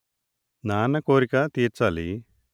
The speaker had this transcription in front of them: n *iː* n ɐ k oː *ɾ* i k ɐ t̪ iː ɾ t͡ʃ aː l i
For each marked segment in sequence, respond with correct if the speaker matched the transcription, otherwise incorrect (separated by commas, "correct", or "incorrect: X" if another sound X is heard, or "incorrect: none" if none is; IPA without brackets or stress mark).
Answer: incorrect: aː, correct